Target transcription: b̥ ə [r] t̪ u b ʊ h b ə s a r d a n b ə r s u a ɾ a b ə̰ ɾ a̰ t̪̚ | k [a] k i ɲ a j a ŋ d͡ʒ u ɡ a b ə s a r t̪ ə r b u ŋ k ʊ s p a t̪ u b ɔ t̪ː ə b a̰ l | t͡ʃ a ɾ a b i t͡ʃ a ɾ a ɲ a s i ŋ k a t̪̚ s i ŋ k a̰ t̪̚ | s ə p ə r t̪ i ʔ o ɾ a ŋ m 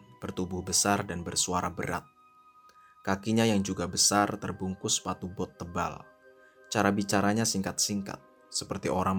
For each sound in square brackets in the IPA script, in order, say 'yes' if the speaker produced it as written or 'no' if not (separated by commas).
yes, yes